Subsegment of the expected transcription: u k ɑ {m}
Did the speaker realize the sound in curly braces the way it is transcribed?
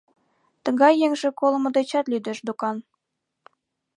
no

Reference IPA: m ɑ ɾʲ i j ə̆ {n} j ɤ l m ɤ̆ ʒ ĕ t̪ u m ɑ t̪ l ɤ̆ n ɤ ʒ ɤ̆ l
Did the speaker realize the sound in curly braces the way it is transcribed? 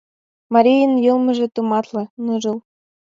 yes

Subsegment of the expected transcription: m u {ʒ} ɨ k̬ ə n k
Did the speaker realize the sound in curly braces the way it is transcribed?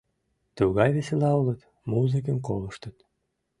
no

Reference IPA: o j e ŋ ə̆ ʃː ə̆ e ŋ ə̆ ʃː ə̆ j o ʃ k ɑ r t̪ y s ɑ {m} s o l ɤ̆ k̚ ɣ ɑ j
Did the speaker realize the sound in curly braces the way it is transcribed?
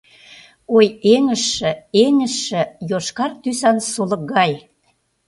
no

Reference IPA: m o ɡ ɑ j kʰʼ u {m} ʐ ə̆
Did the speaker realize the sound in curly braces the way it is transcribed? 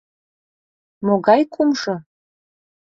yes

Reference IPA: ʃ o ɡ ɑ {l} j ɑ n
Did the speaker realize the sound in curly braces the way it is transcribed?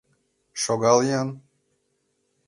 yes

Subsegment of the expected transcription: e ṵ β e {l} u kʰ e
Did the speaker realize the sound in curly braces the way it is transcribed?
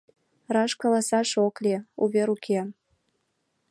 no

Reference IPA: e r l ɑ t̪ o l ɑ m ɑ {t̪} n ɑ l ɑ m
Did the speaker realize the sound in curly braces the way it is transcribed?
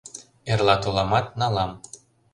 yes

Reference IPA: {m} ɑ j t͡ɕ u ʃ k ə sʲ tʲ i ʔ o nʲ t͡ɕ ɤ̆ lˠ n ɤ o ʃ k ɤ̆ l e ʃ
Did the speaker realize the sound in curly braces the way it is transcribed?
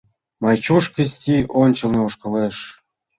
yes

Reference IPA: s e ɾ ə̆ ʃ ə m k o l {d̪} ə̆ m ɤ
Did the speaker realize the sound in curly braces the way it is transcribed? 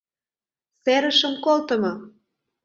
no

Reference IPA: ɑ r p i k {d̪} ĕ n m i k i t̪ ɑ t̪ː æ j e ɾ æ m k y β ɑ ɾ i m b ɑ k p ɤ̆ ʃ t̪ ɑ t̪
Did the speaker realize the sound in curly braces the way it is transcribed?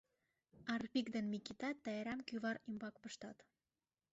yes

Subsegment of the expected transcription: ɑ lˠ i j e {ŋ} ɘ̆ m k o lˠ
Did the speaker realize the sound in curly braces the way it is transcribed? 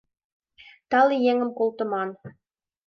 yes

